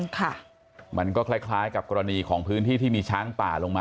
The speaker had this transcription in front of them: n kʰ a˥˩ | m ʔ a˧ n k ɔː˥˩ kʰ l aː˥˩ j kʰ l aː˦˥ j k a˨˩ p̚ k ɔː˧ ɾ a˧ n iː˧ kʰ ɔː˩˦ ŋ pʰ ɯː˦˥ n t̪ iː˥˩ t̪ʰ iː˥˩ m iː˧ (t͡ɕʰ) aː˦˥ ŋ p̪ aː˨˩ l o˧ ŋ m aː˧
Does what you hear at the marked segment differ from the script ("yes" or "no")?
no